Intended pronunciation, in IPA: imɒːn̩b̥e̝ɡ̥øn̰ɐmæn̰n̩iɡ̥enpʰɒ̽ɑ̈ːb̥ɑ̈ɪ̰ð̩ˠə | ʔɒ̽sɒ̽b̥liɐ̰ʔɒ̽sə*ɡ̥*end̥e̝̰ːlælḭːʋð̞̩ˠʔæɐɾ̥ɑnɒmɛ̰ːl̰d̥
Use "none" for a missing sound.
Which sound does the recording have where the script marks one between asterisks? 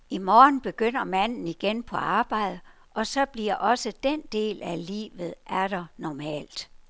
d̥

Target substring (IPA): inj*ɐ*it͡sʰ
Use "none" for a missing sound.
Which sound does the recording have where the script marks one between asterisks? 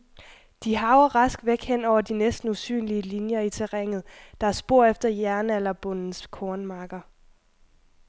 ɐ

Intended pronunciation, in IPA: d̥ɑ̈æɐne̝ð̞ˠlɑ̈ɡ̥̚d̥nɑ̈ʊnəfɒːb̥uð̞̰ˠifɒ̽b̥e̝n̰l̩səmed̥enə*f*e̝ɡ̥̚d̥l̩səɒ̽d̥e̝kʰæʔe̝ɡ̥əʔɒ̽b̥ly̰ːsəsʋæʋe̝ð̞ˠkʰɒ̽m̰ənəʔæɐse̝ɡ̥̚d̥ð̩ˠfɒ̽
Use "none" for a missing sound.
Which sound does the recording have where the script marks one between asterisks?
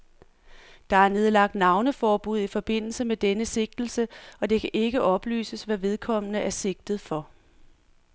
s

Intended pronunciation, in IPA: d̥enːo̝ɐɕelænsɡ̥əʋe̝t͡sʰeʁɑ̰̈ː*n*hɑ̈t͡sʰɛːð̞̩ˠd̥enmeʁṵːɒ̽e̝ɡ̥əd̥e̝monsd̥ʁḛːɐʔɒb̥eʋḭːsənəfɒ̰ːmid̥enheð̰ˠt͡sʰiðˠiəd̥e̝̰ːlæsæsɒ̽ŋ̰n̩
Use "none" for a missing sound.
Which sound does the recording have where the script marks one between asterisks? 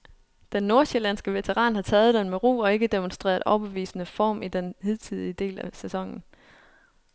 n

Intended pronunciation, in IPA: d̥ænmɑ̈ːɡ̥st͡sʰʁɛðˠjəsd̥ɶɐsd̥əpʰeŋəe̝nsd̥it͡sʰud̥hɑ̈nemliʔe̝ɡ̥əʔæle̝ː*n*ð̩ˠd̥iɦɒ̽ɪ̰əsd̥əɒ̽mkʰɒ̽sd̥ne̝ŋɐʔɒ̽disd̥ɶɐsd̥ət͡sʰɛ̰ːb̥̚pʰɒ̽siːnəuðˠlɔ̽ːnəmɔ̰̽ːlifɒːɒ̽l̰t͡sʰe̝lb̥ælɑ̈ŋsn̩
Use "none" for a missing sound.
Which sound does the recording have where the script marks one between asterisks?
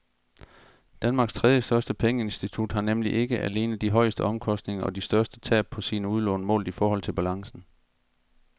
n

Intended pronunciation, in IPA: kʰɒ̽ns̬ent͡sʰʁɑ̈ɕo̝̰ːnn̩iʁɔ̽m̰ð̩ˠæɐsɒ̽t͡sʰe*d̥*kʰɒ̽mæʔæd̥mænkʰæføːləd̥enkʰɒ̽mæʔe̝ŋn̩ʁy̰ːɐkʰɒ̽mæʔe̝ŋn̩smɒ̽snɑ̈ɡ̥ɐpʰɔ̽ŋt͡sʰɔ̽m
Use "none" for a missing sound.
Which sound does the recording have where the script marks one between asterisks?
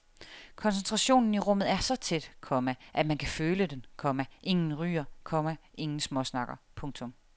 d̥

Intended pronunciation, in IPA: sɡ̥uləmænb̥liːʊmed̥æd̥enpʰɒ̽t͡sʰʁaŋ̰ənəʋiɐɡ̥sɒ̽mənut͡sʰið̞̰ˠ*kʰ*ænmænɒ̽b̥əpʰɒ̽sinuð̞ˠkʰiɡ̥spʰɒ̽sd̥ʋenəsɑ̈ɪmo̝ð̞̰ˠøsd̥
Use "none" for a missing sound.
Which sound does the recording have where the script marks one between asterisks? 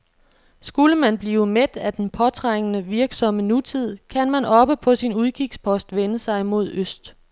kʰ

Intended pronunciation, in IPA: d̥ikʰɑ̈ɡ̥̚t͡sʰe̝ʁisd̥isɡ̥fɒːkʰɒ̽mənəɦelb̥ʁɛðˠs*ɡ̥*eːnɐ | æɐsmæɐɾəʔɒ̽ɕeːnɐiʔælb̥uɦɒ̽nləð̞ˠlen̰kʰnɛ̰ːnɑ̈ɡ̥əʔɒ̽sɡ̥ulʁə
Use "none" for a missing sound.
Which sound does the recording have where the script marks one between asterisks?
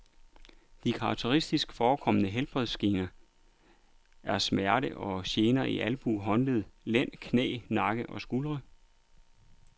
ɡ̥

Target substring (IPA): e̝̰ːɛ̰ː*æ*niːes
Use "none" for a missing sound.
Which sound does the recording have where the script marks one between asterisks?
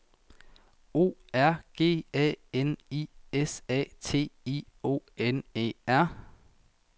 e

